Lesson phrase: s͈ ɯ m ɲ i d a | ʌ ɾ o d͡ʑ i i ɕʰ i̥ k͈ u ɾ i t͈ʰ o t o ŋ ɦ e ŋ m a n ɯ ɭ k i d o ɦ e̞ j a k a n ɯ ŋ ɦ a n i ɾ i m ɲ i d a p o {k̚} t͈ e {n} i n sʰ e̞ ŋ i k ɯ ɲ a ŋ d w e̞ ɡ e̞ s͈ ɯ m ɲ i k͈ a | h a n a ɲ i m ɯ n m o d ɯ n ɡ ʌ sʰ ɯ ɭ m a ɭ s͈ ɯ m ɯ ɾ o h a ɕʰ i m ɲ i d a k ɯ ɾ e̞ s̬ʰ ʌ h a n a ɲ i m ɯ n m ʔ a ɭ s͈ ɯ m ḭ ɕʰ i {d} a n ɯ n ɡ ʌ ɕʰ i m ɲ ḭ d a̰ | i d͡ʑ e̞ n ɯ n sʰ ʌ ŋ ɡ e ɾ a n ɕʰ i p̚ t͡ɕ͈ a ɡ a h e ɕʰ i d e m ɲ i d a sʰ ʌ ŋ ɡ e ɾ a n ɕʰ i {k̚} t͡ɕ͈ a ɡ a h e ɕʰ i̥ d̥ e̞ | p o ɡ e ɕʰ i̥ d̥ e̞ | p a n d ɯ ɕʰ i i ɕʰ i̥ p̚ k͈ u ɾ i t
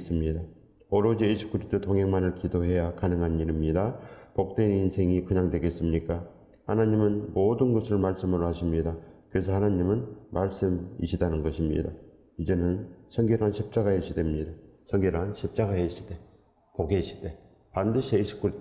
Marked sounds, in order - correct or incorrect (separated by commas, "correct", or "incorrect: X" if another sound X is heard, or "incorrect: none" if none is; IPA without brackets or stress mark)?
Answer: correct, correct, correct, incorrect: p̚